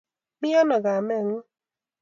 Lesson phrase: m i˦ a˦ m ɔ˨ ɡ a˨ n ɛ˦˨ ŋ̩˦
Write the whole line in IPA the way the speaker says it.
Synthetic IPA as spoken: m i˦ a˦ n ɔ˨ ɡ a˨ m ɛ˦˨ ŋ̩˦